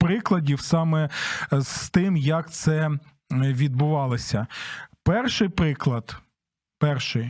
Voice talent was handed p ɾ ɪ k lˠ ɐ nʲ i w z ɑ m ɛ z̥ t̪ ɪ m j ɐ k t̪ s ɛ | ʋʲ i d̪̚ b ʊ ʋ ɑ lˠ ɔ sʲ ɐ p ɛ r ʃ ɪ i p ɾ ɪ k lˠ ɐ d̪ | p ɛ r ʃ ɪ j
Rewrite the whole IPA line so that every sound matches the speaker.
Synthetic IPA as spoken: p ɾ ɪ k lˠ ɐ dʲ i w s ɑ m ɛ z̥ t̪ ɪ m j ɐ k t̪ s ɛ | ʋʲ i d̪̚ b ʊ ʋ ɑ lˠ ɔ sʲ ɐ p ɛ r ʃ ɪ j p ɾ ɪ k lˠ ɐ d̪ | p ɛ r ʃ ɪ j